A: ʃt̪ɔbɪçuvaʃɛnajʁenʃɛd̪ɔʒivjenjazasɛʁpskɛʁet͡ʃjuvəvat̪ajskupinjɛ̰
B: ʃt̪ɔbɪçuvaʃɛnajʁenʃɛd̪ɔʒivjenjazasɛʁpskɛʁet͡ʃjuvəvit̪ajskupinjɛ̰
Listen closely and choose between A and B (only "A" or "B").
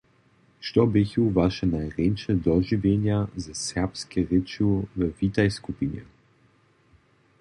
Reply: B